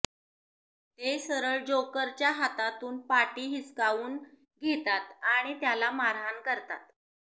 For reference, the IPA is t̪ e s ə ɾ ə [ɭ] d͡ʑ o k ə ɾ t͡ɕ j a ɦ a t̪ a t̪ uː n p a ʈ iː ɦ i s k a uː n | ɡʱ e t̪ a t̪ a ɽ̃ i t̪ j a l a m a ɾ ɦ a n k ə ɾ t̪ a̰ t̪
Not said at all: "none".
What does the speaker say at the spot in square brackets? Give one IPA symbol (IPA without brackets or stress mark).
ɭ